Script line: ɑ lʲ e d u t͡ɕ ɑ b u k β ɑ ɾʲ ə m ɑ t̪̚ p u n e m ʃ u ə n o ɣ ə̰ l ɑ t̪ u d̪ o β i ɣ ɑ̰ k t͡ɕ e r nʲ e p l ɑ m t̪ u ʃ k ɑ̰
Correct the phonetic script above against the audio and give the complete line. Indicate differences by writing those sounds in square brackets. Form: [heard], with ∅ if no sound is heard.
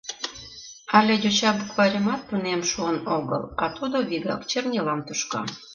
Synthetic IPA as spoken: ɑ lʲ e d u t͡ɕ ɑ b u k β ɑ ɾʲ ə m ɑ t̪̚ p u n e m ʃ u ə n o ɣ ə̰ l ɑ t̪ u d̪ o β i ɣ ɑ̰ k t͡ɕ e r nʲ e [∅] l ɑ m t̪ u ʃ k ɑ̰